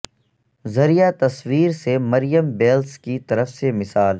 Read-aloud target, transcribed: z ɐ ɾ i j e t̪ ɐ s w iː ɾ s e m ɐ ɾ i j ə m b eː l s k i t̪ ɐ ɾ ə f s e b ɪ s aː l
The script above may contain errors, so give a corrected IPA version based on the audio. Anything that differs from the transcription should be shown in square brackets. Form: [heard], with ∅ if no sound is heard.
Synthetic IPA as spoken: z ɐ ɾ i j [a] t̪ ɐ s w iː ɾ s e m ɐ ɾ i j ə m b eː l s k i t̪ ɐ ɾ ə f s e [m] ɪ s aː l